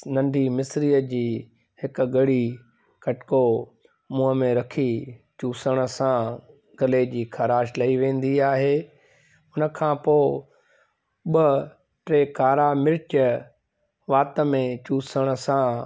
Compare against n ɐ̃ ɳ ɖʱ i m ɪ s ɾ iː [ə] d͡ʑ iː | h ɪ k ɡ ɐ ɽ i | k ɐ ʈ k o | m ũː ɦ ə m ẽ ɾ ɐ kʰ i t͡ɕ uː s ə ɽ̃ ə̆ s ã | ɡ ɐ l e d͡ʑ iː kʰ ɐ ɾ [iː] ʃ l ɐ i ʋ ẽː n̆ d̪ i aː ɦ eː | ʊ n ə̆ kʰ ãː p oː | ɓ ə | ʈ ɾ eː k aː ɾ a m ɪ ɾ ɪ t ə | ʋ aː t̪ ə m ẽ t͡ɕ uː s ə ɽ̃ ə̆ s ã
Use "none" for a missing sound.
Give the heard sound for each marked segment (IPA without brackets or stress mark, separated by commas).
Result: ə, aː